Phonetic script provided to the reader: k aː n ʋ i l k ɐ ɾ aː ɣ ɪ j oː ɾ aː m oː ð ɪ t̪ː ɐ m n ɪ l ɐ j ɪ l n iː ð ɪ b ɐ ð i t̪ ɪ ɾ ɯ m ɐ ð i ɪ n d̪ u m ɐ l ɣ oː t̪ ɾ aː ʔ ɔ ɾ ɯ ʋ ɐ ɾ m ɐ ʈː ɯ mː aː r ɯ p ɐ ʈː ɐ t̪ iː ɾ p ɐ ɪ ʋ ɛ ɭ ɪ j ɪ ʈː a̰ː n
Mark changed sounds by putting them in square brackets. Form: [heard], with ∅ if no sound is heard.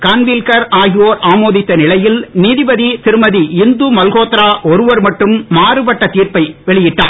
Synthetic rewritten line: k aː n ʋ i l k ɐ ɾ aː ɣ ɪ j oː ɾ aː m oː ð ɪ t̪ː ɐ [∅] n ɪ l ɐ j ɪ l n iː ð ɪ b ɐ ð i t̪ ɪ ɾ ɯ m ɐ ð i ɪ n d̪ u m ɐ l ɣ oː t̪ ɾ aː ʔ ɔ ɾ ɯ ʋ ɐ ɾ m ɐ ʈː ɯ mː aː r ɯ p ɐ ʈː ɐ t̪ iː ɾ p ɐ ɪ ʋ ɛ ɭ ɪ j ɪ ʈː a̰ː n